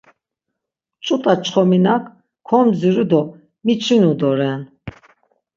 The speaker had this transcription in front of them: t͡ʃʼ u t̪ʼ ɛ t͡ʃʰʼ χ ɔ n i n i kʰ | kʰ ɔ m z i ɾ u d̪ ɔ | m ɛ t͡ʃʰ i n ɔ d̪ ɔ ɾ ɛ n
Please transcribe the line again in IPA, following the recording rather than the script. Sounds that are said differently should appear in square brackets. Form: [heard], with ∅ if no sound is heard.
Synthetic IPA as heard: t͡ʃʼ u t̪ʼ [a] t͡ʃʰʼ χ ɔ [m] i n [a] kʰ | kʰ ɔ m z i ɾ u d̪ ɔ | m [i] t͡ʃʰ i n [u] d̪ ɔ ɾ ɛ n